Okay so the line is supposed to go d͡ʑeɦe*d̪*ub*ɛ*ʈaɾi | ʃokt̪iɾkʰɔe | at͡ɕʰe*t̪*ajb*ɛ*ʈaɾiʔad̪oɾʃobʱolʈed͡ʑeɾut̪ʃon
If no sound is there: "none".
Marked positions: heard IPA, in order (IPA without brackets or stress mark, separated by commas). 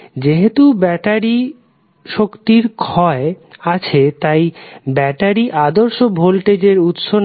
t̪, ɛ, t̪, ɛ